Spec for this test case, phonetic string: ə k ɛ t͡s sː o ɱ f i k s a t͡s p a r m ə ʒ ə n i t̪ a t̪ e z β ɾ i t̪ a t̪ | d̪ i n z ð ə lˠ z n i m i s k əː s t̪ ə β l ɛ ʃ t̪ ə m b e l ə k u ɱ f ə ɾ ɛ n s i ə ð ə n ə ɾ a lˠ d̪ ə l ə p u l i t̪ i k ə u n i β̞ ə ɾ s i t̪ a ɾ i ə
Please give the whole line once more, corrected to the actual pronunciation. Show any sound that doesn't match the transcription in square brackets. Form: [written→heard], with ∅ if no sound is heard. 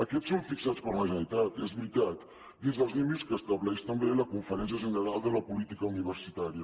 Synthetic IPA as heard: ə k ɛ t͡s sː o ɱ f i k s a t͡s p [a→ə] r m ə ʒ ə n i t̪ a t̪ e z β ɾ i t̪ a t̪ | d̪ i n z ð ə lˠ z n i m i s k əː s t̪ ə β l ɛ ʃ t̪ ə m b e l ə k u ɱ f ə ɾ ɛ n s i ə [ð→ʒ] ə n ə ɾ a lˠ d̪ ə l ə p u l i t̪ i k ə u n i β̞ ə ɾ s i t̪ a ɾ i ə